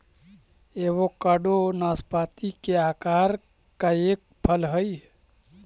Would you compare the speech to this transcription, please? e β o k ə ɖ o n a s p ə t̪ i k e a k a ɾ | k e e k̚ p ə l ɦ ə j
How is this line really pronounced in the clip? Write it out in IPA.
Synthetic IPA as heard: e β o k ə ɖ o n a s p a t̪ i k e a k a ɾ | k a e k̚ pʰ ə l ɦ ə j